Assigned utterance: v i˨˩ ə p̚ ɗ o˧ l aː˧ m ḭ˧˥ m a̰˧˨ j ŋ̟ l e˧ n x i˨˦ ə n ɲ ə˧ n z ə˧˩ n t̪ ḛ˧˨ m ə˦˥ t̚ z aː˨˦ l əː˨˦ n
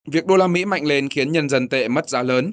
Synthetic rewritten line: v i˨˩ ə k̚ ɗ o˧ l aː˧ m ḭ˧˥ m a̰˧˨ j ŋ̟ l e˧ n x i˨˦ ə n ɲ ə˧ n z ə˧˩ n t̪ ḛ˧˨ m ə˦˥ t̚ z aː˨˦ l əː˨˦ n